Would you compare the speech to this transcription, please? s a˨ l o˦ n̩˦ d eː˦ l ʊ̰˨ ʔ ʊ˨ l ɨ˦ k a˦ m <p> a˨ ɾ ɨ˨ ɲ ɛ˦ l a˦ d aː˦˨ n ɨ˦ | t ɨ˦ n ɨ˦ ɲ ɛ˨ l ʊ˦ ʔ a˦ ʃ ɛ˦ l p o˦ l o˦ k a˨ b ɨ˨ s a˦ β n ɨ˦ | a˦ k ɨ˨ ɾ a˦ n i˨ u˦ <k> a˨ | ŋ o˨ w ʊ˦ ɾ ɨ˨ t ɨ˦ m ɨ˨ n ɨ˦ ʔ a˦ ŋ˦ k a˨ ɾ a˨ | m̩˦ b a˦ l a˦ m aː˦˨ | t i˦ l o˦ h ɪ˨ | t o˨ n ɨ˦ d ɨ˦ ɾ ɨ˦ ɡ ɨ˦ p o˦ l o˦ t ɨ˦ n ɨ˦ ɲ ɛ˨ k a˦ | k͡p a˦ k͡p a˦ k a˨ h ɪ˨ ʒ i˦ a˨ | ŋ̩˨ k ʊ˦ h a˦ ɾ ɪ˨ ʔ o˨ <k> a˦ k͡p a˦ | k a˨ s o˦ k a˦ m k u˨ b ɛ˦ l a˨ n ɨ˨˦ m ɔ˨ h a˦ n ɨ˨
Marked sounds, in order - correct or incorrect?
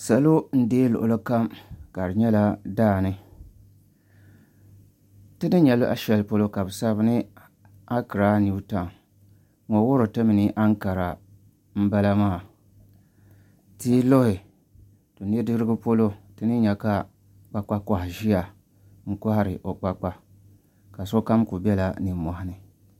incorrect: k, incorrect: t, incorrect: k͡p

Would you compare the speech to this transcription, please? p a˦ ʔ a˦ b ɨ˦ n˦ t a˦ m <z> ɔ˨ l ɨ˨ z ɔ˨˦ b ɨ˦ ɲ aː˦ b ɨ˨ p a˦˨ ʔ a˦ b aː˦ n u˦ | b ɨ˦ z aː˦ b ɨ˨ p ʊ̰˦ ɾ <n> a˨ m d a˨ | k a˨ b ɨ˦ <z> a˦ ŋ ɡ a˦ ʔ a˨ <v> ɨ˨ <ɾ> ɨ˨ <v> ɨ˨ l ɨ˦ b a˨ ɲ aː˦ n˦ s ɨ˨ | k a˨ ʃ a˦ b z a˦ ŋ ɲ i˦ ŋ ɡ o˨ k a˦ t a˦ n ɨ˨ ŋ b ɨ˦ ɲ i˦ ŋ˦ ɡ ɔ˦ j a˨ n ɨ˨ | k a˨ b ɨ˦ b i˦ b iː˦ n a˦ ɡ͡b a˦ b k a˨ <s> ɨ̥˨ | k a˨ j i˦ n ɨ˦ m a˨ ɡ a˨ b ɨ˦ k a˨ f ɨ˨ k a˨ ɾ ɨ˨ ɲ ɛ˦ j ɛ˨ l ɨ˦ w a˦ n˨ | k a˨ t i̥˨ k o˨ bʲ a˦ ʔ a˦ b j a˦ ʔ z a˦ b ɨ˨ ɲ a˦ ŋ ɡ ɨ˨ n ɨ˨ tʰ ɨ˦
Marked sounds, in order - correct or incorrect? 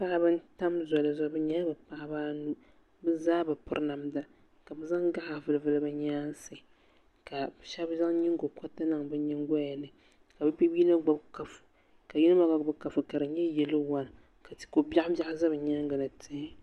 correct, correct, correct, correct, incorrect: l, correct, incorrect: f

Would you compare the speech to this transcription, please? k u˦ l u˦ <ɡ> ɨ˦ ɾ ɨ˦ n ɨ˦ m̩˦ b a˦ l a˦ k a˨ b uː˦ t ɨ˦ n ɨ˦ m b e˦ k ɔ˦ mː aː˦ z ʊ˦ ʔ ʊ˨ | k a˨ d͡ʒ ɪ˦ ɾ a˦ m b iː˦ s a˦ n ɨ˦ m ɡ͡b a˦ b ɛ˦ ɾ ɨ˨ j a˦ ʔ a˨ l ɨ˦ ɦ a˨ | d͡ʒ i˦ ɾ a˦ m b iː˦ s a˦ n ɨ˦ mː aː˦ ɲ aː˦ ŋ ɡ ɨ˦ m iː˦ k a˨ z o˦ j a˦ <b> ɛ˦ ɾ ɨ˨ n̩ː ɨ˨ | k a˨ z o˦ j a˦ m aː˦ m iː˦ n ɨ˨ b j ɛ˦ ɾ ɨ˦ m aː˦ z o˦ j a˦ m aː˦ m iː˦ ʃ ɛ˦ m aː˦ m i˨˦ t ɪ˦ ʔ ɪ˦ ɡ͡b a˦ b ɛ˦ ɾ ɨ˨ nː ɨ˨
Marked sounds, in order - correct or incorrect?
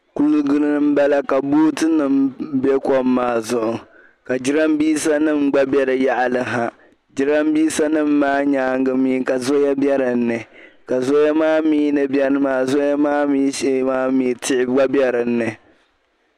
correct, correct

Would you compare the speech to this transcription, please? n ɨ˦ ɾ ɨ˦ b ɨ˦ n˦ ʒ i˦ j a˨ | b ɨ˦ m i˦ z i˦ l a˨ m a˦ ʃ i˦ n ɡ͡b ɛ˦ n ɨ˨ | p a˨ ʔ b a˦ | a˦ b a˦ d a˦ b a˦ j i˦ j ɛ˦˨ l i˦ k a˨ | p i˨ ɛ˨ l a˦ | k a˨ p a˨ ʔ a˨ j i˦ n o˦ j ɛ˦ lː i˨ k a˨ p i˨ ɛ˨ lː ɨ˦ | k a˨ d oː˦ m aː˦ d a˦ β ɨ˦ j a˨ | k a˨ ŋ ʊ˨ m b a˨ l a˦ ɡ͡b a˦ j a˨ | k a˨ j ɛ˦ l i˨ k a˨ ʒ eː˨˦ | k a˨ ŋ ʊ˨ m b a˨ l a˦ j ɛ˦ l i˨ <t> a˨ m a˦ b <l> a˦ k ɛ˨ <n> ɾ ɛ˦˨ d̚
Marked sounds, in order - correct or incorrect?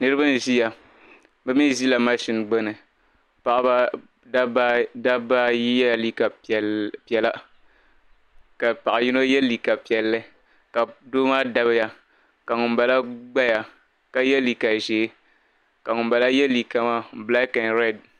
incorrect: k, correct, correct

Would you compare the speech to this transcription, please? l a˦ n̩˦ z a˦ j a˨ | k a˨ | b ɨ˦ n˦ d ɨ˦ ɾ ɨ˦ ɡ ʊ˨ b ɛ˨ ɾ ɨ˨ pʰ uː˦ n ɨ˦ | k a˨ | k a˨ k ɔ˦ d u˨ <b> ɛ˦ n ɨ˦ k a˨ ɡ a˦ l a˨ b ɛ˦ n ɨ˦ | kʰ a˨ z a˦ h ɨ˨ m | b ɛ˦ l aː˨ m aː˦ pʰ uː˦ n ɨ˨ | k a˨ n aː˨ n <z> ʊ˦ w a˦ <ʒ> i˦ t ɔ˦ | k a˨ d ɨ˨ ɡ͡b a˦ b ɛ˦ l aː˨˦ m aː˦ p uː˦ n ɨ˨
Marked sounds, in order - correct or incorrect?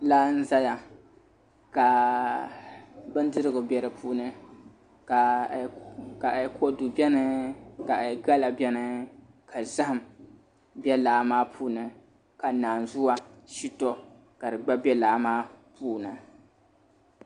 correct, correct, incorrect: ʃ

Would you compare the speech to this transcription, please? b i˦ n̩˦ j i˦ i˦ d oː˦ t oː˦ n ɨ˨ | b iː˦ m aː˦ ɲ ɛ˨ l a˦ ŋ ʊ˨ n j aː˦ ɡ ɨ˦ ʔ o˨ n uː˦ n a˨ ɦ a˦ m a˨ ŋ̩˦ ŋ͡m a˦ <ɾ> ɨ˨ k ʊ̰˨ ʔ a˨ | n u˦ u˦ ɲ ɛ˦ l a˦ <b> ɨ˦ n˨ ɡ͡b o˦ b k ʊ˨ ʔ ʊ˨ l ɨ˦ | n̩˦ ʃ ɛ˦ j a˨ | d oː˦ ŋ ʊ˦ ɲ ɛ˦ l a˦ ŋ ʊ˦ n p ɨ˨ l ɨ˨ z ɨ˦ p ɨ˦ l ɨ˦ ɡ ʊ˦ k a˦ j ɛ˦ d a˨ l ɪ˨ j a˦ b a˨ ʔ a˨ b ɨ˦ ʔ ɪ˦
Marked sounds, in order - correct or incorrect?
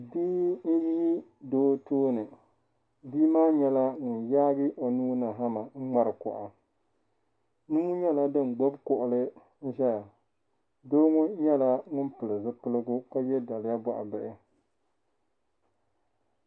correct, incorrect: d

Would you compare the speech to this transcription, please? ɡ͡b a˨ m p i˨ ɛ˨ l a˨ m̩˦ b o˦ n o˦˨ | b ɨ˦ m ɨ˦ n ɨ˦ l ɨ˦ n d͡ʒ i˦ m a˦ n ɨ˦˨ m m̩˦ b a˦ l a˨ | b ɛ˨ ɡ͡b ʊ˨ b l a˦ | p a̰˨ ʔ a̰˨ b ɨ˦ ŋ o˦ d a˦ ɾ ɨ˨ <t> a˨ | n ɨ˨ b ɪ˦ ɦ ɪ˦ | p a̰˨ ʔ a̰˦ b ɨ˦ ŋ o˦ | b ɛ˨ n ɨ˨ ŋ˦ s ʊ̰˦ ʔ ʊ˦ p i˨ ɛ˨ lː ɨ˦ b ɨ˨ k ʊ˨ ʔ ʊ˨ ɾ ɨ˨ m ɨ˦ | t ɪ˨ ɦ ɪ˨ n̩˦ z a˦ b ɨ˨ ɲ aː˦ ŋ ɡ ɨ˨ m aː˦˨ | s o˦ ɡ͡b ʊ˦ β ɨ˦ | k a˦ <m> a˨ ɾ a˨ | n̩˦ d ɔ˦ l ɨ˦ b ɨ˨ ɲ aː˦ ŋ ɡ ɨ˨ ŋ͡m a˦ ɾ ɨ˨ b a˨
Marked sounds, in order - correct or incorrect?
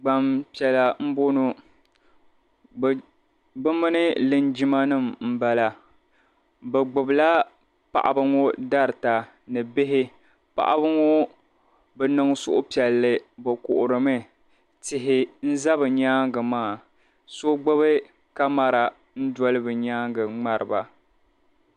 correct, correct

